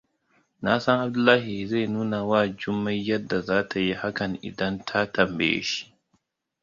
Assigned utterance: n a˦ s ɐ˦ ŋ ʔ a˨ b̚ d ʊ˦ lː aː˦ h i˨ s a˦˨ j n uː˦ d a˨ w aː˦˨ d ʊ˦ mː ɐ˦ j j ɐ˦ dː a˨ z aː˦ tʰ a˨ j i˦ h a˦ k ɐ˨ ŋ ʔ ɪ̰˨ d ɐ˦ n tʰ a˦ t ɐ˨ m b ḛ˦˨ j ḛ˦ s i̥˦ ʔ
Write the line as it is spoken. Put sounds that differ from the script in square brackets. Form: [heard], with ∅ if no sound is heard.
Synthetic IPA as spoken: n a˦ s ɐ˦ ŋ ʔ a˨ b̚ d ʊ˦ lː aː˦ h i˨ [z] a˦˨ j n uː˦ [n] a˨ w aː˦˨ [d͡ʒ] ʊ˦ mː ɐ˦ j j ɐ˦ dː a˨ z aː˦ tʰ a˨ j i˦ h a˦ k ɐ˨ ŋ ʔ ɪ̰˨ d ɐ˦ n tʰ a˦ t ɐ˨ m b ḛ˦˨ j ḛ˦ [ʃ] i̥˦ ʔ